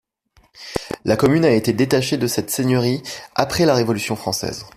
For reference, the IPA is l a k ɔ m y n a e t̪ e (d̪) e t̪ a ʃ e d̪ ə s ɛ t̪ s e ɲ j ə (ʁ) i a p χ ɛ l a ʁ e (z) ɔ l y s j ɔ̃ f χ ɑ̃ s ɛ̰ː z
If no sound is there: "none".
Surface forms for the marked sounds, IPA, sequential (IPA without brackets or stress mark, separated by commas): d̪, ʁ, v